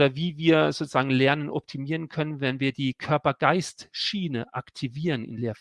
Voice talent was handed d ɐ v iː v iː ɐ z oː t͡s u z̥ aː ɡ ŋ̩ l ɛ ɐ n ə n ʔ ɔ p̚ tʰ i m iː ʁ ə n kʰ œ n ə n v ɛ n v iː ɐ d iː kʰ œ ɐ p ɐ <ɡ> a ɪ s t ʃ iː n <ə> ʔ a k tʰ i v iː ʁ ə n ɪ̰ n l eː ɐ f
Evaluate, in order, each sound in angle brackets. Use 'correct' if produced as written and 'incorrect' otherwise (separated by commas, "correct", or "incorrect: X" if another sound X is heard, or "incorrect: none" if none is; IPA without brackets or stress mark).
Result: correct, correct